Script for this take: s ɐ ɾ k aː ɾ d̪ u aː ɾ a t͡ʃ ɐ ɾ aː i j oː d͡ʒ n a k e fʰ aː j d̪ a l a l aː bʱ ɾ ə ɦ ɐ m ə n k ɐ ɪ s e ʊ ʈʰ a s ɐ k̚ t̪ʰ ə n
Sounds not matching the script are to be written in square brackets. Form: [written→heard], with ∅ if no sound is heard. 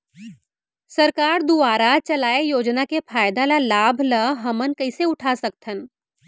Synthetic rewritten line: s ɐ ɾ k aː ɾ d̪ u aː ɾ a t͡ʃ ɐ [ɾ→l] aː [i→e] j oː d͡ʒ n a k e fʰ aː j d̪ a l a l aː bʱ [ɾ→l] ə ɦ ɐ m ə n k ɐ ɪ s e ʊ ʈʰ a s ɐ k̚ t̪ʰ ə n